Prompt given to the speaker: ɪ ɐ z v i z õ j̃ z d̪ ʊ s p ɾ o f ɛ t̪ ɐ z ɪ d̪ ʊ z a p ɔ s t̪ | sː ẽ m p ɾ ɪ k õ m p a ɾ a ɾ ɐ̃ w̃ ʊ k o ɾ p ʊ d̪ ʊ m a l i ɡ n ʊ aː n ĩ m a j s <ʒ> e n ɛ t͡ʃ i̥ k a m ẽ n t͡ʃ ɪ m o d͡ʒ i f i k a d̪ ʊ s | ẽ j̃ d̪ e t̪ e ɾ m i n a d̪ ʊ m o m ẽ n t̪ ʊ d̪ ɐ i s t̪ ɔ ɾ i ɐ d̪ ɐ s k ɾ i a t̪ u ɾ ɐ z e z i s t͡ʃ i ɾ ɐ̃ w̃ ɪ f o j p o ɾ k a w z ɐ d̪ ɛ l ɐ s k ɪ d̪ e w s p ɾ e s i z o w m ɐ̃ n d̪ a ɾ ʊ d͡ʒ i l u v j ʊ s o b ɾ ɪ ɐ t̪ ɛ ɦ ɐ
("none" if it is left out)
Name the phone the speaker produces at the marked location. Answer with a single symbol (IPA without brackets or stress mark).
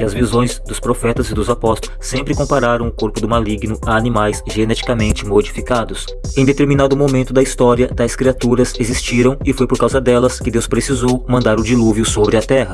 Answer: ʒ